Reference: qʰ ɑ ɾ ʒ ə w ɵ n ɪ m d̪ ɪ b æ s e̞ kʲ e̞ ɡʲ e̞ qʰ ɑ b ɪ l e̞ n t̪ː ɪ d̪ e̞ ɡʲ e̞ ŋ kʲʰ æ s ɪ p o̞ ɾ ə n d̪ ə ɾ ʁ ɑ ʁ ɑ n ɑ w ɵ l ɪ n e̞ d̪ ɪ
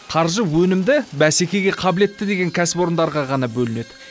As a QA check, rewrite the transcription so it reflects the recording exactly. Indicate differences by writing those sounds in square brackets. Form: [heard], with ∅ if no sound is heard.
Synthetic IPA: qʰ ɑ ɾ ʒ ə w ɵ n ɪ m d̪ ɪ b æ s e̞ kʲ e̞ ɡʲ e̞ qʰ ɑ b ɪ l e̞ [∅] t̪ː ɪ d̪ e̞ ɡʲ e̞ ŋ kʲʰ æ s ɪ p o̞ ɾ ə n d̪ [ɑ] ɾ ʁ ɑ ʁ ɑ n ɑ [b] ɵ l ɪ n e̞ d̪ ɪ